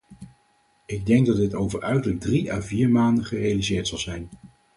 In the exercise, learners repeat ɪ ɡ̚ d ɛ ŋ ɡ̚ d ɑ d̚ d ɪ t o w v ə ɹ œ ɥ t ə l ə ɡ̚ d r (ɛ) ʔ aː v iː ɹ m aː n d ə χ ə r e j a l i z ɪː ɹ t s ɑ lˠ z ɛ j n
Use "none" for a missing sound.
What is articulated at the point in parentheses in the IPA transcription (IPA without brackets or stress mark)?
i